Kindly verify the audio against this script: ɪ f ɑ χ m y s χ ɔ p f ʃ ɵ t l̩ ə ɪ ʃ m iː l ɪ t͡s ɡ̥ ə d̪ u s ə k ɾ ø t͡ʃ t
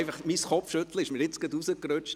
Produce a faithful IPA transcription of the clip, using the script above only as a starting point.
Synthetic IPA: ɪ f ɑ χ m i s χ ɔ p f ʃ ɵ t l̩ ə ɪ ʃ m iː ɾ ɪ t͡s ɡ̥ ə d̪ u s ə k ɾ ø t͡ʃ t